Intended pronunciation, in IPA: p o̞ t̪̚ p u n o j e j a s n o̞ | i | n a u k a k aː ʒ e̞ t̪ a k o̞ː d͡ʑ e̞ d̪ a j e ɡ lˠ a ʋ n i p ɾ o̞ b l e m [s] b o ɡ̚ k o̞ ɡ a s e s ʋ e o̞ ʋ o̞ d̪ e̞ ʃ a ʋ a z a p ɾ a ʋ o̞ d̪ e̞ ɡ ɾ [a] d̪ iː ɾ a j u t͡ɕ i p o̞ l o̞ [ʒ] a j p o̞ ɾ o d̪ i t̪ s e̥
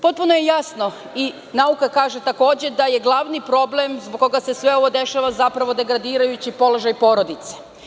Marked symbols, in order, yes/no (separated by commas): no, yes, yes